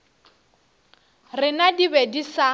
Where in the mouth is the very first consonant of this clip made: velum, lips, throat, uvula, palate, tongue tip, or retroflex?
tongue tip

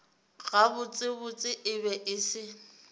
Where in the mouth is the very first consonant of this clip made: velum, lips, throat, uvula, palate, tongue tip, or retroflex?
velum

